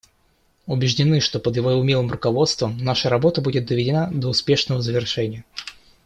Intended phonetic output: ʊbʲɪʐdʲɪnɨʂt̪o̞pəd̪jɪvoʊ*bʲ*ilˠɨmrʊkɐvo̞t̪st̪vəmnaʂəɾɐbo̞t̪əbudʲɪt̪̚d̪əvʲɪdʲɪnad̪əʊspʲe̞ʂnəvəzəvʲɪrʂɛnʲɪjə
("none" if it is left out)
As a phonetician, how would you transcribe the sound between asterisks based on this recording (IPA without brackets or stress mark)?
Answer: mʲ